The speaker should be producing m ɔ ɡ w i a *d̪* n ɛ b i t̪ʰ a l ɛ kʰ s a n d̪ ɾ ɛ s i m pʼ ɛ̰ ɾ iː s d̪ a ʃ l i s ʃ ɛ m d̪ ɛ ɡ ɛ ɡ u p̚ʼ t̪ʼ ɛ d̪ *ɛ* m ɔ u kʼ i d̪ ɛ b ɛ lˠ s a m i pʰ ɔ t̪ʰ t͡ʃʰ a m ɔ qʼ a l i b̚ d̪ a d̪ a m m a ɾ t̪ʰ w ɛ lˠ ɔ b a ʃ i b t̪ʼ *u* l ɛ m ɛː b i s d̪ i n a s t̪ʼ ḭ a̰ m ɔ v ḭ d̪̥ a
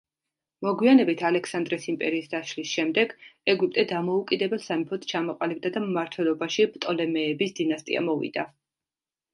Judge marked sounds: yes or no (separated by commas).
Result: no, no, no